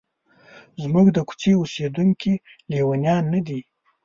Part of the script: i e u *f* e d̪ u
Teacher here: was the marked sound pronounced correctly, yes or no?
no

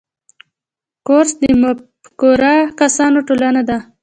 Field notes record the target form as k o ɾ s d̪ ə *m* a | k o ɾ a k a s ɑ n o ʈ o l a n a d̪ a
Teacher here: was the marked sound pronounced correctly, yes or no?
yes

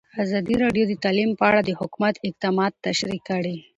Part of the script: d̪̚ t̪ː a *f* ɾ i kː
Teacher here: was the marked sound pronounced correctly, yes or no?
no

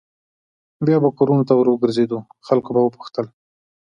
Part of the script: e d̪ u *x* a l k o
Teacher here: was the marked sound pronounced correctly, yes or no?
yes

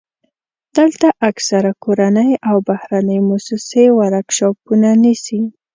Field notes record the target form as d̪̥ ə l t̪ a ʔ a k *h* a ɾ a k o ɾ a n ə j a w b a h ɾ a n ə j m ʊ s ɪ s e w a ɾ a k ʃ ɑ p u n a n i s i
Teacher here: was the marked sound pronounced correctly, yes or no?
no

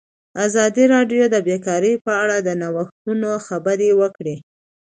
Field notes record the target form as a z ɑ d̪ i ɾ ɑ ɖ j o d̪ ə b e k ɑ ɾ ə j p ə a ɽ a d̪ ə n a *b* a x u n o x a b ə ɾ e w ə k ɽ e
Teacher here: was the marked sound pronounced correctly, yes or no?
no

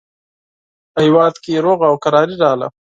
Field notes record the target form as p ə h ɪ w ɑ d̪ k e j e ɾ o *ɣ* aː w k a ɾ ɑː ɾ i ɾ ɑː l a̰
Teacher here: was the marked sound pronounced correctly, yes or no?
yes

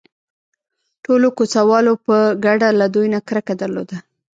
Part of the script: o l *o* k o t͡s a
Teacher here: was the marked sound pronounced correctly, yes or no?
yes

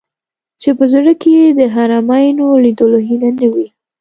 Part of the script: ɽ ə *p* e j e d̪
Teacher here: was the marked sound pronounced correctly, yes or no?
no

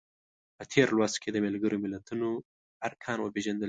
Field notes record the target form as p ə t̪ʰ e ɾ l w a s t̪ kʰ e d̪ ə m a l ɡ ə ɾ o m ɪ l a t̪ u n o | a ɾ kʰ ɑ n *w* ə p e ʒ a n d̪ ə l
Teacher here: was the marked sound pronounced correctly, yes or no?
yes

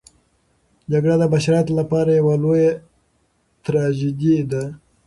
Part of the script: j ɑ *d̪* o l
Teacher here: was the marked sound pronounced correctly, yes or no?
no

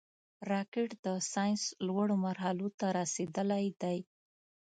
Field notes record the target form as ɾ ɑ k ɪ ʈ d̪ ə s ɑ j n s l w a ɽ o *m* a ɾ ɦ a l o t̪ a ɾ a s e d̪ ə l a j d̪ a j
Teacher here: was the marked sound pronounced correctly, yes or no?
yes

